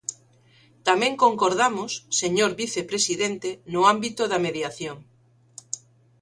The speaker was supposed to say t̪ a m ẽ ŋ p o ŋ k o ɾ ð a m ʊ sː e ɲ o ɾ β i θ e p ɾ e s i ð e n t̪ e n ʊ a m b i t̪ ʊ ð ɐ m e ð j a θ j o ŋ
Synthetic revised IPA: t̪ a m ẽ ŋ k o ŋ k o ɾ ð a m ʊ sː e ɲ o ɾ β i θ e p ɾ e s i ð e n t̪ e n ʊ a m b i t̪ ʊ ð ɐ m e ð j a θ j o ŋ